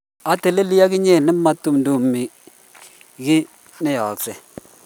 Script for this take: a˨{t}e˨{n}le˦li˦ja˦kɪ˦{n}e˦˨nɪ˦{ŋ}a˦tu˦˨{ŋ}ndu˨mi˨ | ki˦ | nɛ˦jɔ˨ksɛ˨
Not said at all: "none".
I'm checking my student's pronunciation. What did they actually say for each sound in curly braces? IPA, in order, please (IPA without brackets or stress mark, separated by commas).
t, none, ɲ, m, m